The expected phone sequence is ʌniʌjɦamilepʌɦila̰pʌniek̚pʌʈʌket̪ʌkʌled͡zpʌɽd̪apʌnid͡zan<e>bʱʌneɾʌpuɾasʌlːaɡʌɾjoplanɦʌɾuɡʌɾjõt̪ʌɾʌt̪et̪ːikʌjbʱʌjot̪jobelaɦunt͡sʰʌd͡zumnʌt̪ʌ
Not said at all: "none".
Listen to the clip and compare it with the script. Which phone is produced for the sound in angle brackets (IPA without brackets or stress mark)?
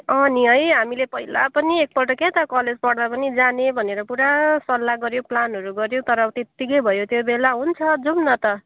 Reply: e